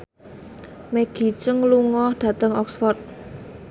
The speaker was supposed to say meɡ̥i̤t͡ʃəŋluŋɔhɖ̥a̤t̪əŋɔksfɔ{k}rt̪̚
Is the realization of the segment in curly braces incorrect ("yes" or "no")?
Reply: yes